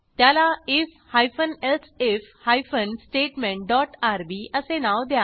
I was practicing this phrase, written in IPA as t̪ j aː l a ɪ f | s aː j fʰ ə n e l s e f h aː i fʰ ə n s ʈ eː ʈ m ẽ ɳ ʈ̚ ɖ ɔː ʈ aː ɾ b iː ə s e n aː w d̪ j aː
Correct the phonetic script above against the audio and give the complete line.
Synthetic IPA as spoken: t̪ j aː l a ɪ f | h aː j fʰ ə n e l s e f h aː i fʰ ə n s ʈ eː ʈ m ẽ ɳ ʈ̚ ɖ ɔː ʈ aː ɾ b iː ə s e n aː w d̪ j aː